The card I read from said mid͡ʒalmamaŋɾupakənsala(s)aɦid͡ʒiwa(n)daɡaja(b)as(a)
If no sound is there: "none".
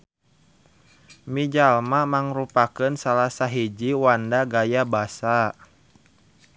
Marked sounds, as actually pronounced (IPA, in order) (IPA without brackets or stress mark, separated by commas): s, n, b, a